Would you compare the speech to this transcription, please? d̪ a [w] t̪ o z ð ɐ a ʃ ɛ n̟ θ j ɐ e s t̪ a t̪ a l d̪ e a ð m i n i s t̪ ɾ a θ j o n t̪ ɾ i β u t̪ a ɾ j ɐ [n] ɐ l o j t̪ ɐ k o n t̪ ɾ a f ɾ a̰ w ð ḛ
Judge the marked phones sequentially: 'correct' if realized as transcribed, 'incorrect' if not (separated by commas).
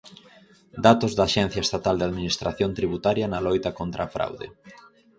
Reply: incorrect, correct